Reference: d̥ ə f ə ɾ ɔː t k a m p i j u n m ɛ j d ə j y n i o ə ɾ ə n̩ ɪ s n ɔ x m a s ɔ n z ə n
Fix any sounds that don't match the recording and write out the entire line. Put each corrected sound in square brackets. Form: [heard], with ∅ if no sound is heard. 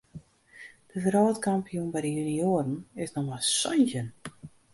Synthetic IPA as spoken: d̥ ə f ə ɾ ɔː t k a m p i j u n [b] ɛ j d ə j y n i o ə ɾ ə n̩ ɪ s n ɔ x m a s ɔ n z ə n